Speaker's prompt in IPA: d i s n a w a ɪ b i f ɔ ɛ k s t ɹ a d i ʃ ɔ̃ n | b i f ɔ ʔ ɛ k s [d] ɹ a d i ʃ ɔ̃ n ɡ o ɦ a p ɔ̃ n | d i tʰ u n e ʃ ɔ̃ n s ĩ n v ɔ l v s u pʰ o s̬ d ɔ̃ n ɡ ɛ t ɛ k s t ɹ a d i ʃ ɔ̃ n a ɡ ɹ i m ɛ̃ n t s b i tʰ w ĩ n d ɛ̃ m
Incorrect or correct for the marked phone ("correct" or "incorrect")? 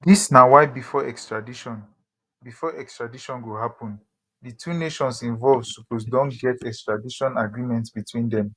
incorrect